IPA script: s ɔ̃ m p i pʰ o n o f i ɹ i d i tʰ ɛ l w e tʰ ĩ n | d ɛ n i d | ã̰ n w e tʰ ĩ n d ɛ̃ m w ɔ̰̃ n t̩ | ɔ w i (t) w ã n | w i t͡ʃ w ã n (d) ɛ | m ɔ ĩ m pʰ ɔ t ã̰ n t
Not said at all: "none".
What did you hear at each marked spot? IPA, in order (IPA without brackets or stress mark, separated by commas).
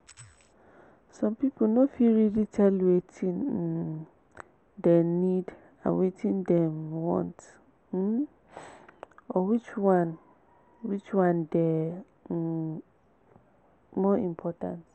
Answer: t͡ʃ, d